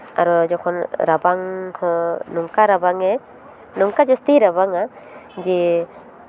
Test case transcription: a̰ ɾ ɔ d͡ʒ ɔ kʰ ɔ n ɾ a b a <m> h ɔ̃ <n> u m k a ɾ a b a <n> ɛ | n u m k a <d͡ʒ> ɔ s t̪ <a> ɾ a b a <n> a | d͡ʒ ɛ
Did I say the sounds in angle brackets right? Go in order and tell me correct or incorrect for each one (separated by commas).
incorrect, correct, incorrect, correct, incorrect, incorrect